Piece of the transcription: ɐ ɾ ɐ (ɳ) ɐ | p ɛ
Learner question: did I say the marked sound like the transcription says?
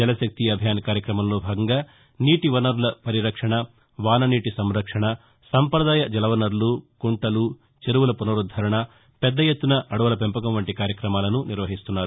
yes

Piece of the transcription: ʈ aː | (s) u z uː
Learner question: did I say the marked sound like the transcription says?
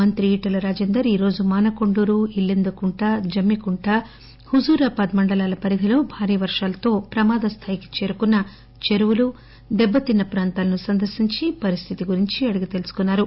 no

